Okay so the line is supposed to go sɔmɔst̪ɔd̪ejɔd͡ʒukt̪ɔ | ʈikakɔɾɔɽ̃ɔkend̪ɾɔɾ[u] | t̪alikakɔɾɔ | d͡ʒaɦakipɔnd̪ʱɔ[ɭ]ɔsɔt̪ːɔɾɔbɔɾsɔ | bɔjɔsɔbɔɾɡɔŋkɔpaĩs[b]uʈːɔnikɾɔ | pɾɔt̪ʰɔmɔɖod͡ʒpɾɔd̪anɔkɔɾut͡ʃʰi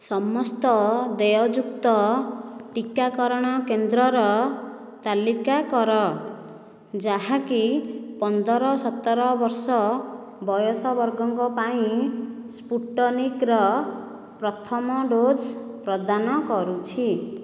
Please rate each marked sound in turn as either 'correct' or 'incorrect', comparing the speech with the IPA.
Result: incorrect: ɔ, incorrect: ɾ, incorrect: p

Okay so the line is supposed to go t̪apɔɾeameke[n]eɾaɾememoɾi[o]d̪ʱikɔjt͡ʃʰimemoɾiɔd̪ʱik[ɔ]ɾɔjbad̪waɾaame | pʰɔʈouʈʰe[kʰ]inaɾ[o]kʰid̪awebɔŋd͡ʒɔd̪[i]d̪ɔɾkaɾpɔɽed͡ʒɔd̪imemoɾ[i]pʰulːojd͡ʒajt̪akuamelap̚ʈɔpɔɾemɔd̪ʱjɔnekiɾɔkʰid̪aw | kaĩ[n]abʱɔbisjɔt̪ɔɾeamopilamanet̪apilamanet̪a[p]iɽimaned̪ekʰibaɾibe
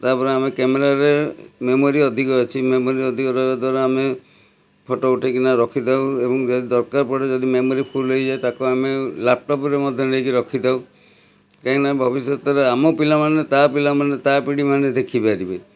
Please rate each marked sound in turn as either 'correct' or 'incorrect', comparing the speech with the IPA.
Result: incorrect: m, incorrect: ɔ, correct, incorrect: k, incorrect: ɔ, correct, correct, correct, correct

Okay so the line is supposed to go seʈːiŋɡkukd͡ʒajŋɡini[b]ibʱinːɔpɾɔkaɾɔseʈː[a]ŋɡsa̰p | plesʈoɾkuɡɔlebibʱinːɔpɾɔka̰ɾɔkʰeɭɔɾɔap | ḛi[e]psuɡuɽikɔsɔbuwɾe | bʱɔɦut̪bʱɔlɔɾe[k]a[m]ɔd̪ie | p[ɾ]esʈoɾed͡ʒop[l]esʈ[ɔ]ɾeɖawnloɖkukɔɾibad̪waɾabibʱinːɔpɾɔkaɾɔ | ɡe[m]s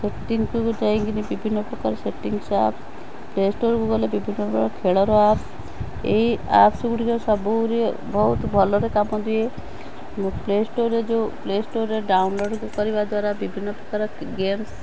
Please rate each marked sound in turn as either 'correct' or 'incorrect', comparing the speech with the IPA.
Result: correct, incorrect: i, incorrect: a, correct, correct, incorrect: l, correct, incorrect: o, correct

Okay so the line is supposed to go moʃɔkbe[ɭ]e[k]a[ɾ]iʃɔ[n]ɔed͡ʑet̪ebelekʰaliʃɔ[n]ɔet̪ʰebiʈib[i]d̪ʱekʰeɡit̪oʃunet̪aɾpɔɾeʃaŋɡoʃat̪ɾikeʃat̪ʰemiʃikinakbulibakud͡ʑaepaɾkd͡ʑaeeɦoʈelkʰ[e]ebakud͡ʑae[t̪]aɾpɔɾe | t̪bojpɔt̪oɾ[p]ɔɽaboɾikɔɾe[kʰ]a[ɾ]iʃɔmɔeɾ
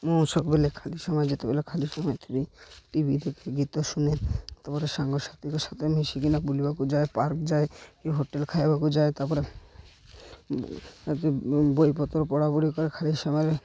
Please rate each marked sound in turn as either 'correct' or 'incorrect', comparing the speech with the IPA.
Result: incorrect: l, incorrect: kʰ, incorrect: l, incorrect: m, incorrect: m, correct, incorrect: a, correct, correct, correct, incorrect: l

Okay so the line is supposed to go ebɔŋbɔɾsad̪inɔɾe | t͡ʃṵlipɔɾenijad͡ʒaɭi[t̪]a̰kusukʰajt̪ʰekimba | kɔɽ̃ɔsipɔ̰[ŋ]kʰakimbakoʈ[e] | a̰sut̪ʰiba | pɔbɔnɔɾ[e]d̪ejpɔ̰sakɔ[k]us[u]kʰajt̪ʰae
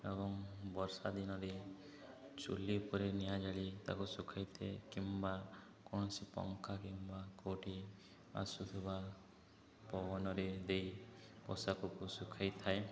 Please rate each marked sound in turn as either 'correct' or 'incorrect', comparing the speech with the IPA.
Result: correct, correct, incorrect: i, correct, correct, correct

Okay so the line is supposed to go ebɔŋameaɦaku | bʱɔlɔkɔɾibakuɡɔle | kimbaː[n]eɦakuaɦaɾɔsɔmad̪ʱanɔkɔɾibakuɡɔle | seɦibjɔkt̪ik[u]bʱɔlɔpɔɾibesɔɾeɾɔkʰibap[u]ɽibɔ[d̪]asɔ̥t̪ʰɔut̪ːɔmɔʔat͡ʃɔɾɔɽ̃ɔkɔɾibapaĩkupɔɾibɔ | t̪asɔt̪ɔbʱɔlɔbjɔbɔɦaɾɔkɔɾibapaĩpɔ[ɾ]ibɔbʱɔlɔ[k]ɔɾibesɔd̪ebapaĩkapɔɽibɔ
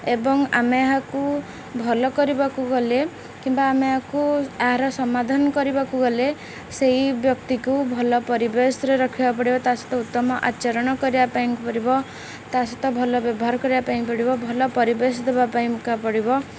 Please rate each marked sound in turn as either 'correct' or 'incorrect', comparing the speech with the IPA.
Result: incorrect: m, correct, incorrect: ɔ, incorrect: t̪, incorrect: ɽ, incorrect: p

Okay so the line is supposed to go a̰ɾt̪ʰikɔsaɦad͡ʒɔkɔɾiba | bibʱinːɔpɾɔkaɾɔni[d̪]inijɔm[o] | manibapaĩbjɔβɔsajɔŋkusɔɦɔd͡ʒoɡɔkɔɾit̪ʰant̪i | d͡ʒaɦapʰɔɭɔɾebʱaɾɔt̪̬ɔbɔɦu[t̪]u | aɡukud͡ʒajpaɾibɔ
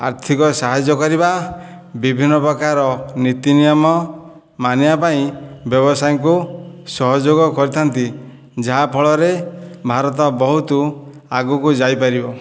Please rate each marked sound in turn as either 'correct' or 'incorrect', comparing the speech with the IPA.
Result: incorrect: t̪, incorrect: ɔ, correct

